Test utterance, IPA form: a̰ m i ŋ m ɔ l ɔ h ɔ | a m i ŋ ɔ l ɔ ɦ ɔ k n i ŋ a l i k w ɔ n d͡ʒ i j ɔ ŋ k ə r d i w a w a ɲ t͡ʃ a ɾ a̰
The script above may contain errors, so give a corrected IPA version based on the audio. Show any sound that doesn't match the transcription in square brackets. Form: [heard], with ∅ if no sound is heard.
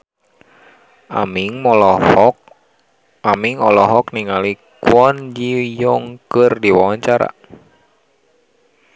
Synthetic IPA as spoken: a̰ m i ŋ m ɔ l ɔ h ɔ | a m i ŋ ɔ l ɔ ɦ ɔ k n i ŋ a l i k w ɔ n d͡ʒ i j ɔ ŋ k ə r d i w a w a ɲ t͡ʃ a ɾ a̰